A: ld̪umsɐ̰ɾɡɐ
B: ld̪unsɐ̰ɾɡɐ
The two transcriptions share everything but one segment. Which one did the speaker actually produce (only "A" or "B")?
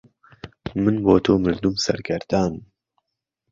A